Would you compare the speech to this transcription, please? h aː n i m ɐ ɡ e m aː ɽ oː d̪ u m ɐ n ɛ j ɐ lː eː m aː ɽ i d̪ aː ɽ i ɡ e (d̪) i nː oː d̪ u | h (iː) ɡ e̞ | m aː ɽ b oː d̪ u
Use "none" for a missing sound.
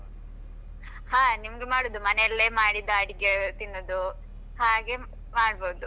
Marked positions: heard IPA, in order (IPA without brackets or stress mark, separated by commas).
t̪, aː